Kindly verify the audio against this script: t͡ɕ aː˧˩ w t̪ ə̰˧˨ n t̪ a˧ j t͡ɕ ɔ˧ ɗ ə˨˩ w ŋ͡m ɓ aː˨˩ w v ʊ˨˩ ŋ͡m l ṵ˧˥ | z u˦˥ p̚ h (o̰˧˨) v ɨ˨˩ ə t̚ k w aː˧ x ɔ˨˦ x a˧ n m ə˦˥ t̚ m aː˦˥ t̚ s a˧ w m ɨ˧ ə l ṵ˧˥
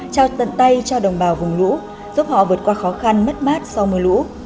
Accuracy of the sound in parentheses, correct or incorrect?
incorrect